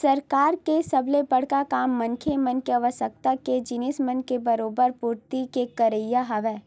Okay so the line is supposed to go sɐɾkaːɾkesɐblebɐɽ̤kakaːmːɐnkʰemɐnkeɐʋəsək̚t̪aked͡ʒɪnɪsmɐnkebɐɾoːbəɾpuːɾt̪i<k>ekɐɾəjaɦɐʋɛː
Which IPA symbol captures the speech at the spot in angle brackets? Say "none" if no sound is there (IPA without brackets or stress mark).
k